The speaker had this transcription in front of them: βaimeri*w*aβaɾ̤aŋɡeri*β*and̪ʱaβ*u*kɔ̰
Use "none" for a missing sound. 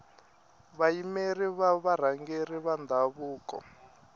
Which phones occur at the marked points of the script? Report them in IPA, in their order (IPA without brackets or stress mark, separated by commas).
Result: β, β, uː